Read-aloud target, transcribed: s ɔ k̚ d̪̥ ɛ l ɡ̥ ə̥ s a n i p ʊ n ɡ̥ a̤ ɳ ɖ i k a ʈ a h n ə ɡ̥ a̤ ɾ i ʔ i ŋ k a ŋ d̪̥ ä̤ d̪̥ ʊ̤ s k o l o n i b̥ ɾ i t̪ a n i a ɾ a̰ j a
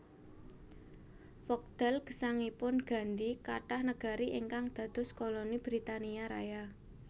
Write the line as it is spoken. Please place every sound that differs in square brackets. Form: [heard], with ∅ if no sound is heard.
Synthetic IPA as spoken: [f] ɔ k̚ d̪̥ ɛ l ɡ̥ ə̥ s a [ŋ] i p ʊ n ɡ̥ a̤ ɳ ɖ i k a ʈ a h n ə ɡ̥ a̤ ɾ i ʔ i ŋ k a ŋ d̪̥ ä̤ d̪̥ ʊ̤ s k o l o n i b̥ ɾ i t̪ a n i a ɾ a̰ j a